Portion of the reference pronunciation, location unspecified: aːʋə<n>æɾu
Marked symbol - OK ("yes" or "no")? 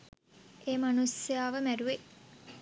no